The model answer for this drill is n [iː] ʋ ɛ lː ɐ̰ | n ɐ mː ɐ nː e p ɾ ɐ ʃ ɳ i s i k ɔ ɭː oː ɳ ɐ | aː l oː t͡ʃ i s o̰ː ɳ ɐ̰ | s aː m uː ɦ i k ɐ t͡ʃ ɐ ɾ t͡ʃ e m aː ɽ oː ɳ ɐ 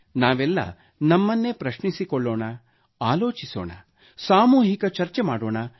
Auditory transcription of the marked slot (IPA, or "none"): aː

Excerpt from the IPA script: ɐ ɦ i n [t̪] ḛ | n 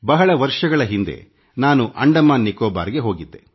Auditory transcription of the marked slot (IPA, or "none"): d̪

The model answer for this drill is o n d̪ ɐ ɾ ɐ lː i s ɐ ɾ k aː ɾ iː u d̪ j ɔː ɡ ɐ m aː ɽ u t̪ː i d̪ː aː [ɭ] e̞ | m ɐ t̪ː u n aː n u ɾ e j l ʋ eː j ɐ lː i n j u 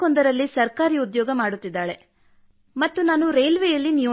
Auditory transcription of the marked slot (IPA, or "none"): ɭ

